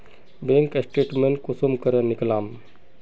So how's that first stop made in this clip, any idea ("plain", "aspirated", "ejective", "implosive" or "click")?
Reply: plain